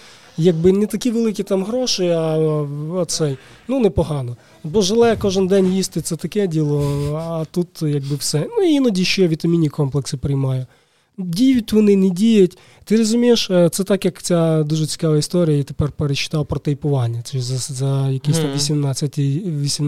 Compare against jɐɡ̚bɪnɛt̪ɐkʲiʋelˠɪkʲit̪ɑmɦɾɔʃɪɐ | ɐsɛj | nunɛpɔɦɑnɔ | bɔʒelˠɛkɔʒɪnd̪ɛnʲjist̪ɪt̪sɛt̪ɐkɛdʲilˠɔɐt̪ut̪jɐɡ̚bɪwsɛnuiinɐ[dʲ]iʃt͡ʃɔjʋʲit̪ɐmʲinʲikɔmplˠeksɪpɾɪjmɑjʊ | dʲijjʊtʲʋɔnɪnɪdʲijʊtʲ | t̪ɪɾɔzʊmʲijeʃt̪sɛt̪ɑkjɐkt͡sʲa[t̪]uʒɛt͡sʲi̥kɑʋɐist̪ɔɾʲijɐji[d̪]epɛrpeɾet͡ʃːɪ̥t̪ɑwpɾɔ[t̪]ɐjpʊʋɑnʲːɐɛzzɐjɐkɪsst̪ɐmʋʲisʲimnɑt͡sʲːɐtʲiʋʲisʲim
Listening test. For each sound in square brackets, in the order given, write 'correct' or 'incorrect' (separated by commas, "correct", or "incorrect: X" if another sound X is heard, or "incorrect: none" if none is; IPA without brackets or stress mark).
correct, incorrect: d̪, incorrect: t̪, correct